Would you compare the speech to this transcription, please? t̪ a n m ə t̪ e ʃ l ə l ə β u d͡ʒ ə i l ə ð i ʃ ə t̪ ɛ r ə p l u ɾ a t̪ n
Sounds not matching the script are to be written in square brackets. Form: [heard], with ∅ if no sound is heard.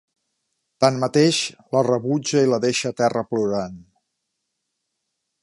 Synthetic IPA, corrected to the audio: t̪ a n m ə t̪ e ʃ l ə [r] ə β u d͡ʒ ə i l ə ð [e] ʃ ə t̪ ɛ r ə p l u ɾ a [∅] n